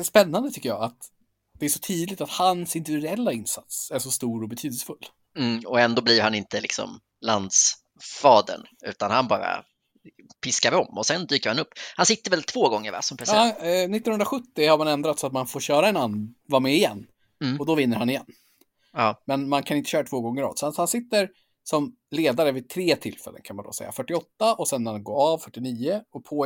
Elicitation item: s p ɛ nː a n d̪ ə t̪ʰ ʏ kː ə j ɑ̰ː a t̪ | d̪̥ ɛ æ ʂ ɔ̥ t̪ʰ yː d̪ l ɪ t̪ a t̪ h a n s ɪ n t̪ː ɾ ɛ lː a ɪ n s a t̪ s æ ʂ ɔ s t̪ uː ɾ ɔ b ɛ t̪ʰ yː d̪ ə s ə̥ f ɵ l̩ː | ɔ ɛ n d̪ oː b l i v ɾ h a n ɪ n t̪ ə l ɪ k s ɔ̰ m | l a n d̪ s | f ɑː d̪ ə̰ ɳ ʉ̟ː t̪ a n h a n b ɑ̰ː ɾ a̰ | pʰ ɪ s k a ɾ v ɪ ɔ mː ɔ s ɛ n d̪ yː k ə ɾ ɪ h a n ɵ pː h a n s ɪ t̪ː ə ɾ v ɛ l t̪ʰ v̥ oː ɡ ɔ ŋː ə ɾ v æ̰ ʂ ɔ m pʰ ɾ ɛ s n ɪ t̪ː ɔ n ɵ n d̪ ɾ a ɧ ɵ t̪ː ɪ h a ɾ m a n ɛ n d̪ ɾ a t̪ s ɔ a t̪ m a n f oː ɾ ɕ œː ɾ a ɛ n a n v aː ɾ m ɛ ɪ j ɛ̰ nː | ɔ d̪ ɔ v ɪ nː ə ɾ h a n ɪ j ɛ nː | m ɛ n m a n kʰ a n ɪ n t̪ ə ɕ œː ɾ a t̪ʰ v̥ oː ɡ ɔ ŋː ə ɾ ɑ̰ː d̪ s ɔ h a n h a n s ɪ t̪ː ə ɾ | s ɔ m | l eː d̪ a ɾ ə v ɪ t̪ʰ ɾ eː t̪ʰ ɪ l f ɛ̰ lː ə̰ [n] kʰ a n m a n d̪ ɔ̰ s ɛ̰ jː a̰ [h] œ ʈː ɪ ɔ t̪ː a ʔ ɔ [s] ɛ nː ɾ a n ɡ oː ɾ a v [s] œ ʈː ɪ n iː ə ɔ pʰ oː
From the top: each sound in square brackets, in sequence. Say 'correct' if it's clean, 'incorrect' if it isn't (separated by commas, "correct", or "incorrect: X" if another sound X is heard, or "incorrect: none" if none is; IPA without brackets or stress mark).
correct, incorrect: f, correct, incorrect: f